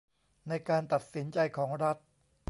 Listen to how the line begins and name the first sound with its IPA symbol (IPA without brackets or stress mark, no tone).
n